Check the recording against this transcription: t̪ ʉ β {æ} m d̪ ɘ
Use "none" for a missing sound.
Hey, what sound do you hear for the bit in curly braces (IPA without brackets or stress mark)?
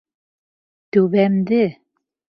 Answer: æ